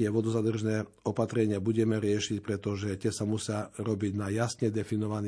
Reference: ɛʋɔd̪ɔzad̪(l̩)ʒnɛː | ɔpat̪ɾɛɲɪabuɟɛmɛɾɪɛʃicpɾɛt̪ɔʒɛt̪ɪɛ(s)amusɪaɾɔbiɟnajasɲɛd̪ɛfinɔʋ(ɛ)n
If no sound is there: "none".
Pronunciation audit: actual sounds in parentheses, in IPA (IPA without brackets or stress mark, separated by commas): r̩, s, a